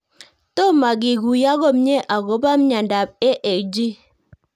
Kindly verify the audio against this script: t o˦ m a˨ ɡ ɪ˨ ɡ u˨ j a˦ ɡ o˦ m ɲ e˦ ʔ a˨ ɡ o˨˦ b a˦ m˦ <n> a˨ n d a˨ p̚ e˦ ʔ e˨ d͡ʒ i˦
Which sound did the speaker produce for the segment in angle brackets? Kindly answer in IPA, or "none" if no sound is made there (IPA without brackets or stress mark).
ɲ